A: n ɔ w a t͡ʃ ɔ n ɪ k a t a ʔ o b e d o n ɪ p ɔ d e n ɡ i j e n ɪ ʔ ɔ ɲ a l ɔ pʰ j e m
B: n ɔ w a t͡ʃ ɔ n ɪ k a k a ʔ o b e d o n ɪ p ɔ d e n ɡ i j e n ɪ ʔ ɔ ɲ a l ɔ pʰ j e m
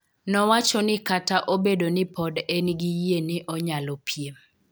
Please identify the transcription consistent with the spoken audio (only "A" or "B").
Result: A